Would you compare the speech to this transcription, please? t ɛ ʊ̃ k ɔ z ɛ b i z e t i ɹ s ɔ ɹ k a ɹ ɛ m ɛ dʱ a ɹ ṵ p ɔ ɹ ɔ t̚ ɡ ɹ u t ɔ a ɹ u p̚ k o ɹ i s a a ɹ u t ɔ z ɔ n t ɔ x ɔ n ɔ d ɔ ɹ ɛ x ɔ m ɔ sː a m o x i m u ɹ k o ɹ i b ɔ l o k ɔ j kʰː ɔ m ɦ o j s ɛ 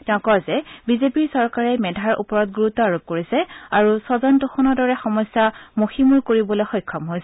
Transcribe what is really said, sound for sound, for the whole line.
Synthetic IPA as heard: t ɛ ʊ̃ k ɔ z ɛ b i z e p i ɹ s ɔ ɹ k a ɹ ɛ m ɛ dʱ a ɹ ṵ p ɔ ɹ ɔ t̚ ɡ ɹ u t ɔ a ɹ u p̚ k o ɹ i s ɛ a ɹ u s ɔ z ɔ n t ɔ x ɔ n ɔ d ɔ ɹ ɛ x ɔ m ɔ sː a m o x i m u ɹ k o ɹ i b ɔ l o x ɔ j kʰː ɔ m ɦ o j s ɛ